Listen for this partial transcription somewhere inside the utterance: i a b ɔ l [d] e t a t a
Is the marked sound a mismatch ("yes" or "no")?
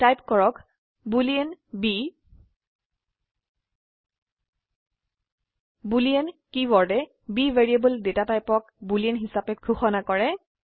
no